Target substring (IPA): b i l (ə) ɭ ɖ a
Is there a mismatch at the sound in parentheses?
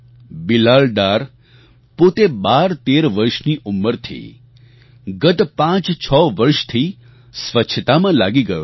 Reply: yes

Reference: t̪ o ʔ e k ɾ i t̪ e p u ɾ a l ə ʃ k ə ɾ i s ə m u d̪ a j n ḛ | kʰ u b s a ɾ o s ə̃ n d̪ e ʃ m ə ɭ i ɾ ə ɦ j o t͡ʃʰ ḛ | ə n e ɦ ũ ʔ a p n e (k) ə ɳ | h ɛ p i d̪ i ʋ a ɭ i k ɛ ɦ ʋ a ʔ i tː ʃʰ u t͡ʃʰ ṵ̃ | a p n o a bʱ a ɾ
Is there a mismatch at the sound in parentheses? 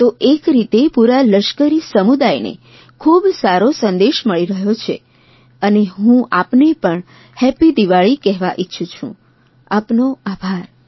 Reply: yes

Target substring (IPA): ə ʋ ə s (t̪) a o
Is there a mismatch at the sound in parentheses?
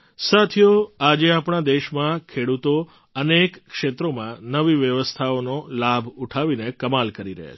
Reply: yes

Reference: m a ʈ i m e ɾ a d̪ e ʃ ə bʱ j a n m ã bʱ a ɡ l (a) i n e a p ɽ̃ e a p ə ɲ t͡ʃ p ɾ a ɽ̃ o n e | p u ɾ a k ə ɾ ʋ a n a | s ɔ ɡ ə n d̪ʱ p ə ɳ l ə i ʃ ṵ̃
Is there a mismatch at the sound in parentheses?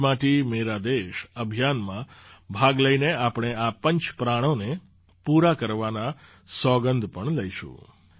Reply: yes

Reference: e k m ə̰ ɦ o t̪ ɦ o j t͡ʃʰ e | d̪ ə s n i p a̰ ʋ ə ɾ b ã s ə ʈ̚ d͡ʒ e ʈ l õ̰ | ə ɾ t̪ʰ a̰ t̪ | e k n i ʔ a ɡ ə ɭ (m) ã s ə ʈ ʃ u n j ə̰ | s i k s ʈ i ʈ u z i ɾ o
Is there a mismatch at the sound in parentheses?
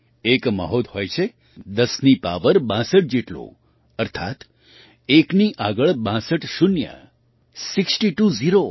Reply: yes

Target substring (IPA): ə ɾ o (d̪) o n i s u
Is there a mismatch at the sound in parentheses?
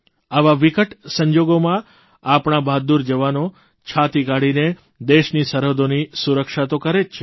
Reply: no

